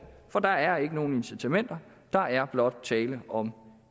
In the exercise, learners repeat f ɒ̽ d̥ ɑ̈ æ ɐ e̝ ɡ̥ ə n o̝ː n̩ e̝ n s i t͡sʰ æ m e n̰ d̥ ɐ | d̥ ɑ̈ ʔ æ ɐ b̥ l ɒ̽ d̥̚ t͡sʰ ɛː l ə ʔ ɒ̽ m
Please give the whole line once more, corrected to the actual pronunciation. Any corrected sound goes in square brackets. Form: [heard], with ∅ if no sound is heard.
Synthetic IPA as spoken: f ɒ̽ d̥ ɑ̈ æ ɐ e̝ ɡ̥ ə n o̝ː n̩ e̝ n s i t͡sʰ æ m e n̰ d̥ ɐ | d̥ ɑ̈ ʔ æ ɐ b̥ l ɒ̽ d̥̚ t͡sʰ ɛː l ə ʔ ɒ̽ m